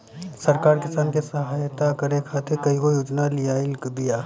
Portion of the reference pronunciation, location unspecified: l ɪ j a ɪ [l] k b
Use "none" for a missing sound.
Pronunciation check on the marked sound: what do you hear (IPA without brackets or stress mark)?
l